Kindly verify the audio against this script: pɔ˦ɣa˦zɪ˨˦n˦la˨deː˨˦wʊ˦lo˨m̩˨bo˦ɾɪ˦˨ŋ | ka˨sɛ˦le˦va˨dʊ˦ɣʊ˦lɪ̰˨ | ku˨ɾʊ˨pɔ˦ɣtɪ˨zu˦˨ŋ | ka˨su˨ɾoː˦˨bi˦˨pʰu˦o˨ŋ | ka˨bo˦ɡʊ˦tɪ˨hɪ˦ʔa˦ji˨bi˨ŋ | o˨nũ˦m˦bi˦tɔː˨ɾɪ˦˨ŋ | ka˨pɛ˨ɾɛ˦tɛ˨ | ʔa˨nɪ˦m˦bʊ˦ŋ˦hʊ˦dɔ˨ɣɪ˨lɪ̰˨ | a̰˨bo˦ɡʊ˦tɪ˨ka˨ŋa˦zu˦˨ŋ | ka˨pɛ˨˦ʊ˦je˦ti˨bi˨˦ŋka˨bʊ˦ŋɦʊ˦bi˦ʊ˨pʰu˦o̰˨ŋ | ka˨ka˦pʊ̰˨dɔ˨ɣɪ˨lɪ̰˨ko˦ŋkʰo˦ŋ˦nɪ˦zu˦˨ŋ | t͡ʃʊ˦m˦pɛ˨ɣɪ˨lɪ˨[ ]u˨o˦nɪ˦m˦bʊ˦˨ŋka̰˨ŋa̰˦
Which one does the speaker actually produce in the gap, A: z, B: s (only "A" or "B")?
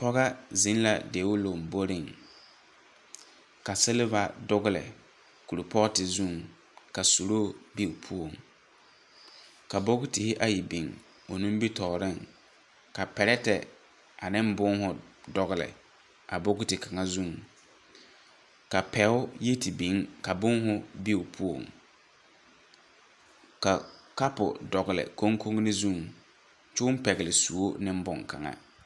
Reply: B